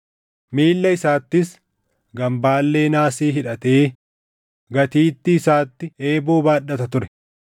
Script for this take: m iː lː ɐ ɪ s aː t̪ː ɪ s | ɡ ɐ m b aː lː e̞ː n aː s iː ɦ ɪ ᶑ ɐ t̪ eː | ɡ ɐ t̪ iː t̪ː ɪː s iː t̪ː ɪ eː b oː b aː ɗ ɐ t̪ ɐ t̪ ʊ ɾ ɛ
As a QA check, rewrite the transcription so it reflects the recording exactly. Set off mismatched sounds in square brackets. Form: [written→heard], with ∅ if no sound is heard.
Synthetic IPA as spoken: m iː lː ɐ ɪ s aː t̪ː ɪ s | ɡ ɐ m b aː lː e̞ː n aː s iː ɦ ɪ ᶑ ɐ t̪ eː | ɡ ɐ t̪ iː t̪ː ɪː s [iː→aː] t̪ː ɪ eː b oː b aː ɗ ɐ t̪ ɐ t̪ ʊ ɾ ɛ